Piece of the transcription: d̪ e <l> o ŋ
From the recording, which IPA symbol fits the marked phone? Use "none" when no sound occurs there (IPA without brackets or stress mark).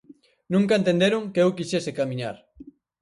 ɾ